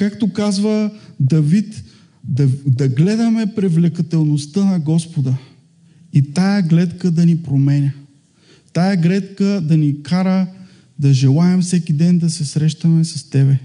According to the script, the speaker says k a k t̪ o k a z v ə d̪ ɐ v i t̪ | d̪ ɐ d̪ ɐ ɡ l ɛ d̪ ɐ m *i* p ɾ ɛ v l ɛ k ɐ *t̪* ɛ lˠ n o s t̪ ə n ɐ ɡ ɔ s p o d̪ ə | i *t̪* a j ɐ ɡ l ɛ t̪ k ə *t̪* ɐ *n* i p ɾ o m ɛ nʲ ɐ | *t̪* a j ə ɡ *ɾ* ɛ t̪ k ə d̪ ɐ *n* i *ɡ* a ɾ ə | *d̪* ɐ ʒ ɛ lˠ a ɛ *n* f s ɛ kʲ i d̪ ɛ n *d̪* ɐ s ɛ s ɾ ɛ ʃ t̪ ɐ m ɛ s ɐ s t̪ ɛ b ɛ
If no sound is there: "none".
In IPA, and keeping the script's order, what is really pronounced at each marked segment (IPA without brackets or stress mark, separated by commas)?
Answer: ɛ, t̪, t̪, d̪, n, t̪, l, n, k, d̪, m, d̪